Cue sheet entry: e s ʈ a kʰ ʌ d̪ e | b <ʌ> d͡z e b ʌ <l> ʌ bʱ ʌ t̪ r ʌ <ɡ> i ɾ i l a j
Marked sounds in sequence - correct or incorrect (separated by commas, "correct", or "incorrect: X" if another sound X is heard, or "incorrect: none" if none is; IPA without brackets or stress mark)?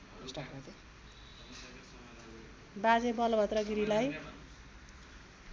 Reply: incorrect: a, correct, correct